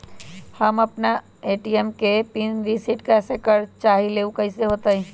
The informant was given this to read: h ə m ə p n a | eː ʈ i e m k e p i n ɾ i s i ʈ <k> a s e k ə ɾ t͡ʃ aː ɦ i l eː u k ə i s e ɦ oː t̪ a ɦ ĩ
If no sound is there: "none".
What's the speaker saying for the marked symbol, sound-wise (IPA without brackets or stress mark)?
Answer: k